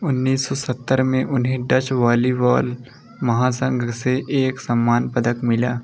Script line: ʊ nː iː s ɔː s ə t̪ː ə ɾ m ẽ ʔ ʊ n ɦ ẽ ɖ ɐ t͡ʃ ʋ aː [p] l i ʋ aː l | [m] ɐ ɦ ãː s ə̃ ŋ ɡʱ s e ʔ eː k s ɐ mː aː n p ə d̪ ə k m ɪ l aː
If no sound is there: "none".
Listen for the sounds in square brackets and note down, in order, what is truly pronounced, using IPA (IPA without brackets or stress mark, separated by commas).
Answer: none, m